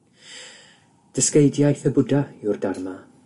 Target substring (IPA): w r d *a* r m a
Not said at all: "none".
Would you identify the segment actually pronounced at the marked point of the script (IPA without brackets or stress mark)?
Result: a